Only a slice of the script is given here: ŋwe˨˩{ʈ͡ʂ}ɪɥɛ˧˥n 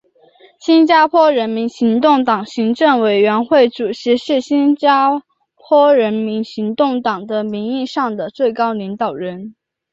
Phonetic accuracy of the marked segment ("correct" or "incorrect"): incorrect